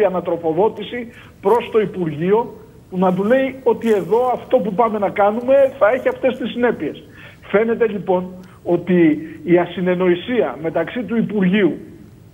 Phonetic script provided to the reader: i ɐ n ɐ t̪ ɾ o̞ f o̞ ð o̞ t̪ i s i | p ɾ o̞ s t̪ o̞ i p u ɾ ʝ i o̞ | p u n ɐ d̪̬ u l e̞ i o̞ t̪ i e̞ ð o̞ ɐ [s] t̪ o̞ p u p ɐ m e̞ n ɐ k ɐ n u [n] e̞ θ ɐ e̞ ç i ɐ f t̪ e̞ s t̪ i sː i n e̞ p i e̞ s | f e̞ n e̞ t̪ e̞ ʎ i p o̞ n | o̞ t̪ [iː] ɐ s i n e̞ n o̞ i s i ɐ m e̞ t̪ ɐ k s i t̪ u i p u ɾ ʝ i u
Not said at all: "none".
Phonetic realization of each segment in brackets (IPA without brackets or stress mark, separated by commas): f, m, iː